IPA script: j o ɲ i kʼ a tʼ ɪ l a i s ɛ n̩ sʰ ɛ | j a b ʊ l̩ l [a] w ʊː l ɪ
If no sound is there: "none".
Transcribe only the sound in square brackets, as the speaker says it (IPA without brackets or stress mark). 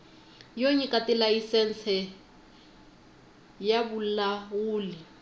a